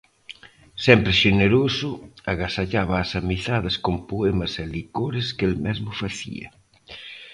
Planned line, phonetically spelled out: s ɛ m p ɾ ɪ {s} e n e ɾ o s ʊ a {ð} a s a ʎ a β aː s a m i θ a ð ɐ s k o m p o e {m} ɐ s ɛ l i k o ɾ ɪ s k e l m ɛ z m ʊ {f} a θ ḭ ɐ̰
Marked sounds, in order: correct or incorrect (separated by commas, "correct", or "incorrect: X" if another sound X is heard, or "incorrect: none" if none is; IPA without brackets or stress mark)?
incorrect: ʃ, incorrect: ɣ, correct, correct